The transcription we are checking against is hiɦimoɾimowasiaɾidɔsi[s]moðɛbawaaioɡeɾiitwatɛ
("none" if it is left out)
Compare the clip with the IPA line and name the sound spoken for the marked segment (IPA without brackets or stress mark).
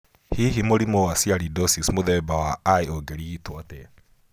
s